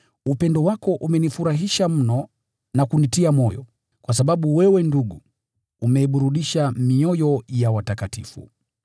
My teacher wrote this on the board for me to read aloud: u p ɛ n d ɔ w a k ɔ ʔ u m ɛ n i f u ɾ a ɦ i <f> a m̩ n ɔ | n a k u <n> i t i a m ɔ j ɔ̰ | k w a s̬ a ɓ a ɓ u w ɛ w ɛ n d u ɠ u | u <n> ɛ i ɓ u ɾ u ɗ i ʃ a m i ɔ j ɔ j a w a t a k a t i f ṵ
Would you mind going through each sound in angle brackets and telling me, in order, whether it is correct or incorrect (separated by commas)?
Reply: incorrect, correct, incorrect